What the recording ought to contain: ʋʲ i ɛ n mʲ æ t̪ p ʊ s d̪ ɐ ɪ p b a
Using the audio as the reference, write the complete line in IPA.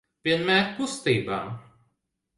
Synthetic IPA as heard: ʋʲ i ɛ n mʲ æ t̪ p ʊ s t̪ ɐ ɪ b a